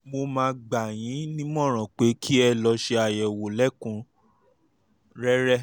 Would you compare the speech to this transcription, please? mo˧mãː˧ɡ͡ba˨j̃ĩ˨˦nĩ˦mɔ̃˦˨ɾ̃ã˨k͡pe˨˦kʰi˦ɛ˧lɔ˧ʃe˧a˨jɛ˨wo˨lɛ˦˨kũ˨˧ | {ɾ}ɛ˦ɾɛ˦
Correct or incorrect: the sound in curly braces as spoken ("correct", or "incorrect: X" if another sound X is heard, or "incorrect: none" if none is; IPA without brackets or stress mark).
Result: correct